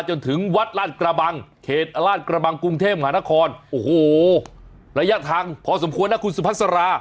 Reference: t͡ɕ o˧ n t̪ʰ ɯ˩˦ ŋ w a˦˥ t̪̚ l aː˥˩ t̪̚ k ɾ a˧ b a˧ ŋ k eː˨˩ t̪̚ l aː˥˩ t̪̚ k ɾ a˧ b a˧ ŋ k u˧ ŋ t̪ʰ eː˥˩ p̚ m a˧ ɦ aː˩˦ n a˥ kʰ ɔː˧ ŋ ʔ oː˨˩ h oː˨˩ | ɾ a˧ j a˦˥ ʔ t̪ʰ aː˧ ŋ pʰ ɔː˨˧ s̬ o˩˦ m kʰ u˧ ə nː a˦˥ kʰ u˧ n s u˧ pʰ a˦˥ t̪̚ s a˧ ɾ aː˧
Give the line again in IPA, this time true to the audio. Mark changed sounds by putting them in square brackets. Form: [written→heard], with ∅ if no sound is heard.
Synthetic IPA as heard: t͡ɕ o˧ n t̪ʰ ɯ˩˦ ŋ w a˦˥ t̪̚ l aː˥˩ t̪̚ k ɾ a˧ b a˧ ŋ [k→kʰ] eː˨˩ t̪̚ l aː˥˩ t̪̚ k ɾ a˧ b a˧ ŋ k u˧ ŋ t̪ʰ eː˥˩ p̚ m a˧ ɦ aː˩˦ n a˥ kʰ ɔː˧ [ŋ→n] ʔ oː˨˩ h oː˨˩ | ɾ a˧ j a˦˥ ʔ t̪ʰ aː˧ ŋ pʰ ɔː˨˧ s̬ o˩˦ m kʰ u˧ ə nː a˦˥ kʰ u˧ n s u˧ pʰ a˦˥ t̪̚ s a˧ ɾ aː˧